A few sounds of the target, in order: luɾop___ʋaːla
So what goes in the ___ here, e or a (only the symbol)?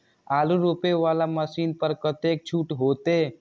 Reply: e